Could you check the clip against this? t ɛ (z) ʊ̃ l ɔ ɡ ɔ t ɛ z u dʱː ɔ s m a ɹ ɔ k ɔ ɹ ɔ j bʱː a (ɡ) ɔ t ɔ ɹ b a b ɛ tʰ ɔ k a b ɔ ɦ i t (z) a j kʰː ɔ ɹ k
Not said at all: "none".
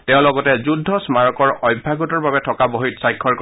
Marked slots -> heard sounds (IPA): none, ɡ, s

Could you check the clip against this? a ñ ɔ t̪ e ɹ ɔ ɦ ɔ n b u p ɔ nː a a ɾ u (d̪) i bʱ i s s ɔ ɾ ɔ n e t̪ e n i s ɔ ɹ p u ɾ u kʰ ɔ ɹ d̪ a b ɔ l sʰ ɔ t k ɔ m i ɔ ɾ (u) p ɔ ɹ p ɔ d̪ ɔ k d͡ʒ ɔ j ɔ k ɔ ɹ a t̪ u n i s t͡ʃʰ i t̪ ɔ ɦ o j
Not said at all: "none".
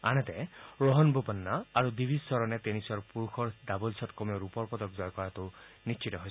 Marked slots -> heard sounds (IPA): d̪, u

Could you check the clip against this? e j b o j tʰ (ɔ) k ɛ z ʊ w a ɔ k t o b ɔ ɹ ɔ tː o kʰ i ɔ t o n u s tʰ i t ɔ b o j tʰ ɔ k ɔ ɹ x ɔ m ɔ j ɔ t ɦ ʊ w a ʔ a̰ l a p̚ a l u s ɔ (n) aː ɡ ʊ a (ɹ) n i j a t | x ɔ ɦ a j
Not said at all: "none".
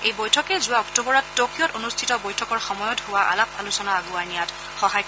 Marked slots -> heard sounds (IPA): ɔ, n, ɹ

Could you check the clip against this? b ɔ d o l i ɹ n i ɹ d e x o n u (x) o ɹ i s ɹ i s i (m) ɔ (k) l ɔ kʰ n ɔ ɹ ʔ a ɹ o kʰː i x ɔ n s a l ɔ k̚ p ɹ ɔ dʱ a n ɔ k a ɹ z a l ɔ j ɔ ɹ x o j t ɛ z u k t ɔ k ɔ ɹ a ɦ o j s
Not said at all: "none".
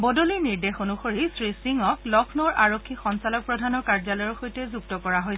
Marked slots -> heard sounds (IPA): x, ŋ, k

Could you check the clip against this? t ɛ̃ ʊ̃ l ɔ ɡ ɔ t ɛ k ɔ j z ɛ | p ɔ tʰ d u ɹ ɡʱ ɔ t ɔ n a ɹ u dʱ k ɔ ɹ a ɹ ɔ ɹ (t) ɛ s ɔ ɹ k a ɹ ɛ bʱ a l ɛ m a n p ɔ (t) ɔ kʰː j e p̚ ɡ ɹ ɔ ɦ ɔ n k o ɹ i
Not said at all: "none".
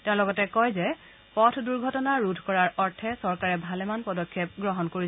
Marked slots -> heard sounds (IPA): tʰ, d

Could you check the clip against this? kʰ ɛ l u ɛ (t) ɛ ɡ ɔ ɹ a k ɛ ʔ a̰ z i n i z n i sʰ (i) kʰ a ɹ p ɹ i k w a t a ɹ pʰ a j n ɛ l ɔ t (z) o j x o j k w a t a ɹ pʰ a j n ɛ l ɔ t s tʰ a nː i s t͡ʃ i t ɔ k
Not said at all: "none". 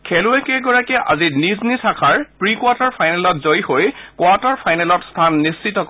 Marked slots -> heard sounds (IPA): k, a, z

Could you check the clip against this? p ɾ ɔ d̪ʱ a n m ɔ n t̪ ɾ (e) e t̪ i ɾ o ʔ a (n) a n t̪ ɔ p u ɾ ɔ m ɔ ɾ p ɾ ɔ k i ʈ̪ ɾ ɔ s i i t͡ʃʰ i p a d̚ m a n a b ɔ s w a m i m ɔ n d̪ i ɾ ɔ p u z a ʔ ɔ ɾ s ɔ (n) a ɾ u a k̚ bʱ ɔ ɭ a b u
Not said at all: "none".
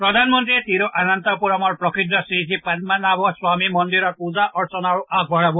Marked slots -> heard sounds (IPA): i, n, n

